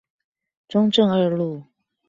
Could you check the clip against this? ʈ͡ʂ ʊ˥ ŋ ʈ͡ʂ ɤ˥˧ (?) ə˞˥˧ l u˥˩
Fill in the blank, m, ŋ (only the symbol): ŋ